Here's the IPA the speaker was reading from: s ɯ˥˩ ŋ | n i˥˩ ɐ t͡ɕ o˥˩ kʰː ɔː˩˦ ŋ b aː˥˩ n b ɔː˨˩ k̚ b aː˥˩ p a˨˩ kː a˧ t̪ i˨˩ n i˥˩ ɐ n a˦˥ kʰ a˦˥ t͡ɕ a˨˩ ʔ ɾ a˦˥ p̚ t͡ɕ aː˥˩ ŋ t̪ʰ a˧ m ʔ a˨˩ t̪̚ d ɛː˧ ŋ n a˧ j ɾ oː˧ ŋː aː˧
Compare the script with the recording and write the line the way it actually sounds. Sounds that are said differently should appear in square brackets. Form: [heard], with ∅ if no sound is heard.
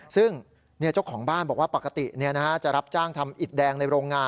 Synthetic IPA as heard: s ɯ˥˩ ŋ | n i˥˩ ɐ t͡ɕ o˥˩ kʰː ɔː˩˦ ŋ b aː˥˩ n b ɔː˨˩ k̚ [w] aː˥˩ p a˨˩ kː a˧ t̪ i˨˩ n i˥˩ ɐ n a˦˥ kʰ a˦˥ t͡ɕ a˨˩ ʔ ɾ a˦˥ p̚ t͡ɕ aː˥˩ ŋ t̪ʰ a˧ m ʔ [i˨˩] t̪̚ d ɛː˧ ŋ n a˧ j ɾ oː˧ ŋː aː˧